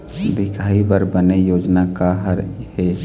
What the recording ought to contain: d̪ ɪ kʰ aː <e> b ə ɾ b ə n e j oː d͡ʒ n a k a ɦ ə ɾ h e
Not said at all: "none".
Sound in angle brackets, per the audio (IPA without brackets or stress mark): i